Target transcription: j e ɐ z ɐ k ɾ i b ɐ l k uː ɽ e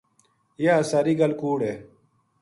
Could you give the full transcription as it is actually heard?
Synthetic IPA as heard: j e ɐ s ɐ ɾ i ɡ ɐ l k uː ɽ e